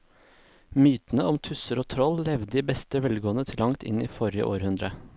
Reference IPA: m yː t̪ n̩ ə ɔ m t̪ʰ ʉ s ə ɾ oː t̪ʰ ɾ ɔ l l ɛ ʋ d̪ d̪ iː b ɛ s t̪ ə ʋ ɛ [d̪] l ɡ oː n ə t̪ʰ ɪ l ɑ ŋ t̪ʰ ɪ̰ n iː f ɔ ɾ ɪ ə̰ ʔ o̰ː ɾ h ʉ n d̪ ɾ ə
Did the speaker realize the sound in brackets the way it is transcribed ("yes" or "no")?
no